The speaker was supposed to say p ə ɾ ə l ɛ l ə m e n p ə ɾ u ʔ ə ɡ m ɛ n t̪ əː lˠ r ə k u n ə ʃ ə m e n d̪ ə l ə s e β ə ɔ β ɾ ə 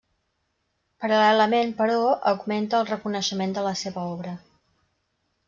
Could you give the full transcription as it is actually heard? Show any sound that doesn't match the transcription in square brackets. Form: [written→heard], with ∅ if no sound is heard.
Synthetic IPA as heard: p ə ɾ ə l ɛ l ə m e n p ə ɾ [u→ɔ] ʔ ə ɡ m [ɛ→e] n t̪ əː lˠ r ə k u n ə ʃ ə m e n d̪ ə l ə s e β ə ɔ β ɾ ə